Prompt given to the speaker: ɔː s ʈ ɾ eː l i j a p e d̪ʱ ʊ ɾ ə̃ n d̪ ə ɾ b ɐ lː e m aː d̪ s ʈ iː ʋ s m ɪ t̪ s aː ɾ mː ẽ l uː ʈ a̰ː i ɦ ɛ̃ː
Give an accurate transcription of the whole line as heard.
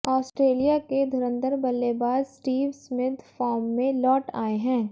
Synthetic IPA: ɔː s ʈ ɾ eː l i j a k e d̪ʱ ʊ ɾ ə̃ n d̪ ə ɾ b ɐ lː e b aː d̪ s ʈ iː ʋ s m ɪ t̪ f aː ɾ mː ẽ l ɔː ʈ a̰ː e ɦ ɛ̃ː